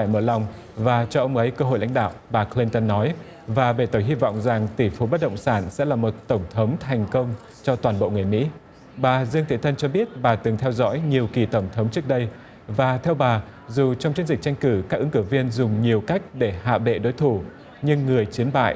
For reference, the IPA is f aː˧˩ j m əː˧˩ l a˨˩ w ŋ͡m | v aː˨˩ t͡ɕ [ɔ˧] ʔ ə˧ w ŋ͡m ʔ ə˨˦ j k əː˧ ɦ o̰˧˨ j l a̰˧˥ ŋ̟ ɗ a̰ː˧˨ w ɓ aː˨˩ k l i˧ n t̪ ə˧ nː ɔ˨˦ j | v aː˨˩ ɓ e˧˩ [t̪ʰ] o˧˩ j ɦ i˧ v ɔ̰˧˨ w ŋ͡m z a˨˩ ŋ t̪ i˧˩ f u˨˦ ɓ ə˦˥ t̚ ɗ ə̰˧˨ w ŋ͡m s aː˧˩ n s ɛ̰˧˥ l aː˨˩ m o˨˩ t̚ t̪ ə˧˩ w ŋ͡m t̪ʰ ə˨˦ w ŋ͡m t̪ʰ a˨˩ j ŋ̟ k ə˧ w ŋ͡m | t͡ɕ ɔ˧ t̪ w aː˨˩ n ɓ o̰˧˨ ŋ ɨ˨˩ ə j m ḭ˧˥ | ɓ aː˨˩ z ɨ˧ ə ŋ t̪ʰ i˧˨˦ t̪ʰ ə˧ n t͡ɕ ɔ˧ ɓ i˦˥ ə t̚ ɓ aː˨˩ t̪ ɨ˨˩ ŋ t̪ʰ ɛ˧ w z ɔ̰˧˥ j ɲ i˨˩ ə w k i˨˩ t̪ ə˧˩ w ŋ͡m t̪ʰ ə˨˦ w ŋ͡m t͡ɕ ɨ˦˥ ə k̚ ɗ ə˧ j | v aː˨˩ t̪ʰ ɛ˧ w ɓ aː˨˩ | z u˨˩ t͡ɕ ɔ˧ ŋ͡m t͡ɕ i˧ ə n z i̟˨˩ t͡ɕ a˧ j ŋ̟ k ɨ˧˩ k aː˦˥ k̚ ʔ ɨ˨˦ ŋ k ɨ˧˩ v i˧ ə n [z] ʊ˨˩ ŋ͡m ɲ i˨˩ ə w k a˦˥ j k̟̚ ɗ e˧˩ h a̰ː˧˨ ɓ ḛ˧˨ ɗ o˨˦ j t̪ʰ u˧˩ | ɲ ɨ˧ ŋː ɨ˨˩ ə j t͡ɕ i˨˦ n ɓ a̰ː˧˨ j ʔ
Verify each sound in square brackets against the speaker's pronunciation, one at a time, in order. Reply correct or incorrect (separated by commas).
correct, incorrect, correct